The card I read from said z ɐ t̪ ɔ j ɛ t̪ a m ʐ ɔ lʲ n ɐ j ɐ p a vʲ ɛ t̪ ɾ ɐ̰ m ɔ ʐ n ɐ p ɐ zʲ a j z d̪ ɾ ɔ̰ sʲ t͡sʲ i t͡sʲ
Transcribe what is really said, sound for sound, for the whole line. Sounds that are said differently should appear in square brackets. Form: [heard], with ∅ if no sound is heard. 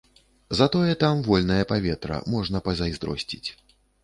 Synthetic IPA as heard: z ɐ t̪ ɔ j ɛ t̪ a m [v] ɔ lʲ n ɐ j ɐ p a vʲ ɛ t̪ ɾ ɐ̰ m ɔ ʐ n ɐ p ɐ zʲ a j z d̪ ɾ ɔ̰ sʲ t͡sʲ i t͡sʲ